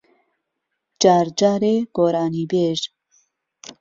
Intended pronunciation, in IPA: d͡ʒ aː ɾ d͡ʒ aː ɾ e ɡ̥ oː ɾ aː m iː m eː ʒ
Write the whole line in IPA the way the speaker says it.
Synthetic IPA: d͡ʒ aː ɾ d͡ʒ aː ɾ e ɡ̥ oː ɾ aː n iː b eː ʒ